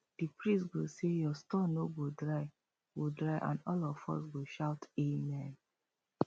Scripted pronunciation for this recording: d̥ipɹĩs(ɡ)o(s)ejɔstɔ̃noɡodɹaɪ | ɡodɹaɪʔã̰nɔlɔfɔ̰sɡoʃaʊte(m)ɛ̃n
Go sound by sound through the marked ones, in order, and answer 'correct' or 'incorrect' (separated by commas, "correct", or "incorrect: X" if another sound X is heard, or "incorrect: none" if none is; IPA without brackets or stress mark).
correct, correct, correct